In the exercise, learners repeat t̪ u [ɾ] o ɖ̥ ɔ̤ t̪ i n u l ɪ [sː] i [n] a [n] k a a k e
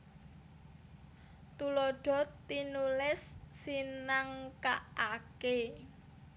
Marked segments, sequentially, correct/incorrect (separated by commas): incorrect, correct, correct, incorrect